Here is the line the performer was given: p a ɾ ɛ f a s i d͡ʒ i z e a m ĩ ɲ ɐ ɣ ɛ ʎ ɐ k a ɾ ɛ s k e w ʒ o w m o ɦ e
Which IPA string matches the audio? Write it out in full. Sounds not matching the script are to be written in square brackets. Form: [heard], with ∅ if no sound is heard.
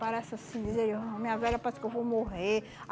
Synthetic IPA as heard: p a ɾ ɛ [s] a s [ĩ] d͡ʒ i z e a m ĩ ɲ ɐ [v] ɛ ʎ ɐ [p] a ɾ ɛ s k e w [v] o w m o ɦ e